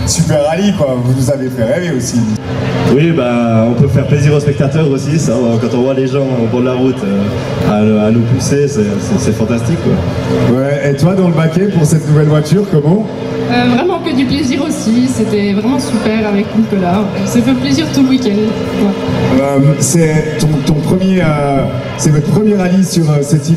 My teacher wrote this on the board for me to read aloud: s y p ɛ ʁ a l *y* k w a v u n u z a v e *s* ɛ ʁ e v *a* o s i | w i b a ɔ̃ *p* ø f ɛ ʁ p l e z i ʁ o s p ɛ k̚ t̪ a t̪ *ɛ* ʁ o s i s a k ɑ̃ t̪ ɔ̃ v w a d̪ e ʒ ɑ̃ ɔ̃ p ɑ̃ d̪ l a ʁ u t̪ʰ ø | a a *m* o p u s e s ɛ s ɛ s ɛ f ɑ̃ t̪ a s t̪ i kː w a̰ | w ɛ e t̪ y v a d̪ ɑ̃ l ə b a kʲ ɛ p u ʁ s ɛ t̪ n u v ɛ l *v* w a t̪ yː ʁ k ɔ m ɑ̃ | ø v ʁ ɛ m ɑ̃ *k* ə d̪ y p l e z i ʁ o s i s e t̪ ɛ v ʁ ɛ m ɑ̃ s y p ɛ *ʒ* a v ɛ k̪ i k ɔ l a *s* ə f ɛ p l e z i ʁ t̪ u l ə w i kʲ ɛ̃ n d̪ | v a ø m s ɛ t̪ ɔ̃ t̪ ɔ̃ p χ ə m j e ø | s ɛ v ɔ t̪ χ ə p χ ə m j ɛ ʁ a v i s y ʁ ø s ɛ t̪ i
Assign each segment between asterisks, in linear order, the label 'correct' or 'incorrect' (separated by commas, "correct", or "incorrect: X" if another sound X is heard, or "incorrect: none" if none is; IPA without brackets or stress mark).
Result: incorrect: i, incorrect: f, incorrect: e, correct, incorrect: œ, incorrect: n, correct, correct, incorrect: ʁ, correct